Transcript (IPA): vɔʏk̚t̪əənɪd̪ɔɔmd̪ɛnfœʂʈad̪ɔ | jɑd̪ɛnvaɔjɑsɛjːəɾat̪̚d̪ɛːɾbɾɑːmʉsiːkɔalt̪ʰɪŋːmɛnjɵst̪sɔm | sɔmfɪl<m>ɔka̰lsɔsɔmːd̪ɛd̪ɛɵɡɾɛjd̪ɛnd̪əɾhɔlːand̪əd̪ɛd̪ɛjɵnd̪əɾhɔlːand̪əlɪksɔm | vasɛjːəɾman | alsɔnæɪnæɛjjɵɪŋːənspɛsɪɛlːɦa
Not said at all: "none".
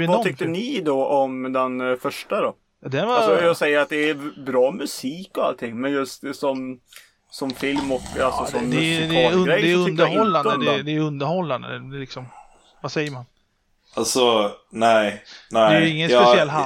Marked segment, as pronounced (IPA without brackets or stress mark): m